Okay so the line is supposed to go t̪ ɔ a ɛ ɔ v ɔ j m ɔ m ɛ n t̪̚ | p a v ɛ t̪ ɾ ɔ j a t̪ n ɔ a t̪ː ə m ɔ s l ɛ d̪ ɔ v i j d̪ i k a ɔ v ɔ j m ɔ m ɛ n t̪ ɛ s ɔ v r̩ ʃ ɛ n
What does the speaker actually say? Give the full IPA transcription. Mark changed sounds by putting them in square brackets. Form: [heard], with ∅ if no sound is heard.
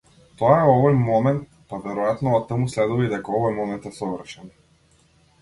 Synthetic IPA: t̪ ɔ a ɛ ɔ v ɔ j m ɔ m ɛ n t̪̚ | p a v ɛ [∅] ɾ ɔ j a t̪ n ɔ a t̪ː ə m [u] s l ɛ d̪ [u] v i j d̪ [ɛ] k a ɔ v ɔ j m ɔ m ɛ n t̪ ɛ s ɔ v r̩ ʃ ɛ n